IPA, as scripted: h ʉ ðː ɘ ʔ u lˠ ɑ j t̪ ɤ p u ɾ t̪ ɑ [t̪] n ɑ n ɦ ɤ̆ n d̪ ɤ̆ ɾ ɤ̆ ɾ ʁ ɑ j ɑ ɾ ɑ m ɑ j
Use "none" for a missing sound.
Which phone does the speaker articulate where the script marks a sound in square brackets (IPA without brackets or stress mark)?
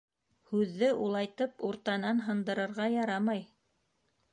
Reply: none